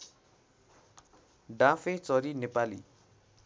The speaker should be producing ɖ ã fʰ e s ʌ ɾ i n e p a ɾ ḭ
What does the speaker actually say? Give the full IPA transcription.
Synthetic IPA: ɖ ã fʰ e t͡s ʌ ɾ i n e p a l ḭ